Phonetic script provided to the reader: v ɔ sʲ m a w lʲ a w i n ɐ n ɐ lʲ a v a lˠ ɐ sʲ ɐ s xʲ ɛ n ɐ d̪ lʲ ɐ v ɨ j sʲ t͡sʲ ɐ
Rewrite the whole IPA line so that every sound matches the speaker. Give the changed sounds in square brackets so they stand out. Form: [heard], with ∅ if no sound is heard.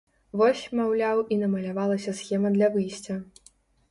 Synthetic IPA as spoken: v ɔ sʲ m a w lʲ a w i n ɐ [m] ɐ lʲ a v a lˠ ɐ sʲ ɐ s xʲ ɛ [m] ɐ d̪ lʲ ɐ v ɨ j sʲ t͡sʲ ɐ